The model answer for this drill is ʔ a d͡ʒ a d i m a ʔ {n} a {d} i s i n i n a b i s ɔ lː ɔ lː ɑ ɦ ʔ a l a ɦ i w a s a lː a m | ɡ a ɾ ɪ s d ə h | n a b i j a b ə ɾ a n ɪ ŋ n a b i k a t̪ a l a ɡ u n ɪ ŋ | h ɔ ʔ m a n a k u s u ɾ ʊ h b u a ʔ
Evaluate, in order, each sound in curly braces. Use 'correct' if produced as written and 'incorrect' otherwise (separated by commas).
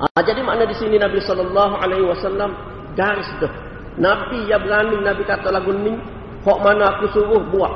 correct, correct